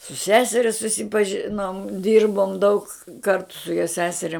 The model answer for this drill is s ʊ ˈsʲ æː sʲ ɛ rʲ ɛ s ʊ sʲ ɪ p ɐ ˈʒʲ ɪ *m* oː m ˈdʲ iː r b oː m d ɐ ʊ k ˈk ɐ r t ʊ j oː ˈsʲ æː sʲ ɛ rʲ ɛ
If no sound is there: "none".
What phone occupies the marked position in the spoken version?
n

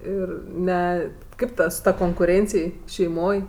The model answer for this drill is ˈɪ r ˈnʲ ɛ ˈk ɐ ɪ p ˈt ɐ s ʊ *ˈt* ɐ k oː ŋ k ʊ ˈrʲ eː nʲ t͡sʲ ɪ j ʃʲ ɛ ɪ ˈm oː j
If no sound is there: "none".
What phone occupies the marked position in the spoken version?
t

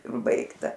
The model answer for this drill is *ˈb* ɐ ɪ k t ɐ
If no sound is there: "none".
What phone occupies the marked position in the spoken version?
b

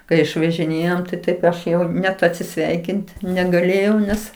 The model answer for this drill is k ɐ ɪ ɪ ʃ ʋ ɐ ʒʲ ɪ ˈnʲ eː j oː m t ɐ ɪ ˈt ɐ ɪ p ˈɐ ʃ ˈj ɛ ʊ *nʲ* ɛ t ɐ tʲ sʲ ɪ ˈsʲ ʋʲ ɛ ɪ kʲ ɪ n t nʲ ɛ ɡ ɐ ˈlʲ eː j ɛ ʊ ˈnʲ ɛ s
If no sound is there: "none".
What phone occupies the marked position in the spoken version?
nʲ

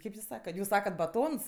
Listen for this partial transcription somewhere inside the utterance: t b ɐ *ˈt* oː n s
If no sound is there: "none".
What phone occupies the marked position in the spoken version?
t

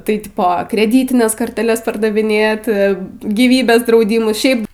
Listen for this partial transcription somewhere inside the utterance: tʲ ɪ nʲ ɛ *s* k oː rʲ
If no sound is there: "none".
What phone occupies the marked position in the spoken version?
s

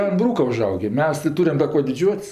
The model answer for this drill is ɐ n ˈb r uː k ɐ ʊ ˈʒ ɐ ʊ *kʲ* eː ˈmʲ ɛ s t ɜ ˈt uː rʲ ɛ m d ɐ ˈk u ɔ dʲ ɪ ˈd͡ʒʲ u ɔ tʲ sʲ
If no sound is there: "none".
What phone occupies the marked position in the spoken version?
ɡʲ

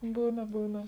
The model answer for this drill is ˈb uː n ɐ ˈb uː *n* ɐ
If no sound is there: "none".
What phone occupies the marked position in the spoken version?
n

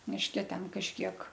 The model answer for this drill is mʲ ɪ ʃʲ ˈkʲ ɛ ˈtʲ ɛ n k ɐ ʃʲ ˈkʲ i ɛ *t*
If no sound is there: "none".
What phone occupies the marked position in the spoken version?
k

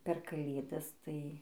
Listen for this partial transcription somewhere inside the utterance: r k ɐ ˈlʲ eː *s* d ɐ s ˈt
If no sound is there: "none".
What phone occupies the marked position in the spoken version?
none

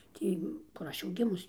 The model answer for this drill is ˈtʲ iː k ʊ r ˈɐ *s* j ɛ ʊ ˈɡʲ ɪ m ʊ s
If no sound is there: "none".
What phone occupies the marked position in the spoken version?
ʃ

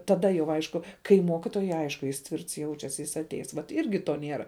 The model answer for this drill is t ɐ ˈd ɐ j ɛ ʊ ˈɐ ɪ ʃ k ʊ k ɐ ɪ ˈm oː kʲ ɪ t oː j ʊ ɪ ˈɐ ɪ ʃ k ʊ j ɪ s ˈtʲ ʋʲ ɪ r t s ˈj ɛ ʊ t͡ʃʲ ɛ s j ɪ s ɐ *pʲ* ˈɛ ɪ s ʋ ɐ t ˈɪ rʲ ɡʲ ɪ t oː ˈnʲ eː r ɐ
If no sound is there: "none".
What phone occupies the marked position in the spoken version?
tʲ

